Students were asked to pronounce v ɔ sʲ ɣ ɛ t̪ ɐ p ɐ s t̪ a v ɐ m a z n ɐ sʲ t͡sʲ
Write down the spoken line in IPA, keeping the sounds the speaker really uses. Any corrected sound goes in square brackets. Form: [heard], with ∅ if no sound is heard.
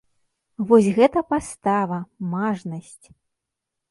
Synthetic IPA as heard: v ɔ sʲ ɣ ɛ t̪ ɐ p [a] s t̪ a v ɐ m a [ʐ] n ɐ sʲ t͡sʲ

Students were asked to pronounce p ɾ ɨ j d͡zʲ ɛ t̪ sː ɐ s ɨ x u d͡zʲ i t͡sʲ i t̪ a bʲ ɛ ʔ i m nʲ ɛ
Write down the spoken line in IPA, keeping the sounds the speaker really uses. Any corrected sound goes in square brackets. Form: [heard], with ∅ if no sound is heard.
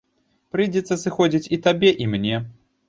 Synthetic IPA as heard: p ɾ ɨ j d͡zʲ ɛ t̪ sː ɐ s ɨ x [ɔ] d͡zʲ i t͡sʲ i t̪ a bʲ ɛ ʔ i m nʲ ɛ

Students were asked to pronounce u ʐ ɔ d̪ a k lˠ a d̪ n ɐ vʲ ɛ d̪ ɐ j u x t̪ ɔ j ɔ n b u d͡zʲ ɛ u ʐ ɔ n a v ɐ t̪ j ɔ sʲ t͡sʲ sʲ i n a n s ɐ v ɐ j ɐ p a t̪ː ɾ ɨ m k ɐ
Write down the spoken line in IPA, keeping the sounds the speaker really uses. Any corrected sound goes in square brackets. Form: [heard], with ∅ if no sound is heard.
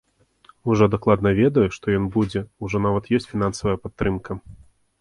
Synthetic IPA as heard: u ʐ ɔ d̪ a k lˠ a d̪ n ɐ vʲ ɛ d̪ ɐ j u [ʂ] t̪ ɔ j ɔ n b u d͡zʲ ɛ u ʐ ɔ n a v ɐ t̪ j ɔ sʲ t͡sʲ [fʲ] i n a n s ɐ v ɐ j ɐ p a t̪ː ɾ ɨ m k ɐ

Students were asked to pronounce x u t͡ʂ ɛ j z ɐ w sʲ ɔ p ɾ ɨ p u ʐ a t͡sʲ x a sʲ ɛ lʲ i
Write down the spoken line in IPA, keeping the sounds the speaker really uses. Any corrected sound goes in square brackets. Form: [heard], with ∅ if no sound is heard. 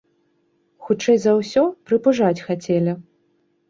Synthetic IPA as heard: x u t͡ʂ ɛ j z ɐ w sʲ ɔ p ɾ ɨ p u ʐ a t͡sʲ x a [t͡sʲ] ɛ lʲ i

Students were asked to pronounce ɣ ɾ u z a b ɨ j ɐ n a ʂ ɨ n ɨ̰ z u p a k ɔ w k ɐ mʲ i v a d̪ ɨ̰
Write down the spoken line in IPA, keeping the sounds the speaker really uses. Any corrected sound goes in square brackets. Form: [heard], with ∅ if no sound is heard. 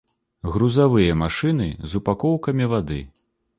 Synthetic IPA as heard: ɣ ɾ u z a [v] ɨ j ɐ [m] a ʂ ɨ n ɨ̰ z u p a k ɔ w k ɐ mʲ i v a d̪ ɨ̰

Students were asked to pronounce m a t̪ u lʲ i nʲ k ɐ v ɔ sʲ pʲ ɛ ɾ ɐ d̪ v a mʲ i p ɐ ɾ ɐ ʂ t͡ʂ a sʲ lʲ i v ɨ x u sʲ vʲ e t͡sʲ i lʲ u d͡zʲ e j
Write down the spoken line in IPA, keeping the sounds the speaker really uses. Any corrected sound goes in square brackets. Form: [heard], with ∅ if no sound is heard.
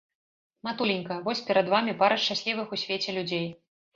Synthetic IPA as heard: m a t̪ u lʲ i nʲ k ɐ v ɔ sʲ pʲ ɛ ɾ ɐ d̪ v a mʲ i p [a] ɾ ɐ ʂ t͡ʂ a sʲ lʲ i v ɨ x u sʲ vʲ e t͡sʲ [ɛ] lʲ u d͡zʲ e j

